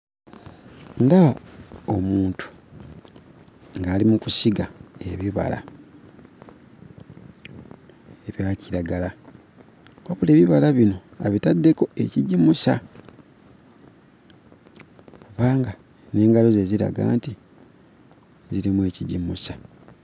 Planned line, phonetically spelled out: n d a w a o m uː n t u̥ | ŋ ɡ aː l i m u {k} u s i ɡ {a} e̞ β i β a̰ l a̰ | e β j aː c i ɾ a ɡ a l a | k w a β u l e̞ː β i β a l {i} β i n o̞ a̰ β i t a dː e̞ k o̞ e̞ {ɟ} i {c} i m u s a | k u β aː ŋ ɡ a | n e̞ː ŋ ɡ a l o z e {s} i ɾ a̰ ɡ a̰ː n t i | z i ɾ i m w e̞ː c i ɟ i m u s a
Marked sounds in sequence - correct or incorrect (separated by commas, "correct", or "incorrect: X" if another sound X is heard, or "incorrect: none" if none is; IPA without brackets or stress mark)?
correct, correct, incorrect: a, incorrect: c, incorrect: ɟ, incorrect: z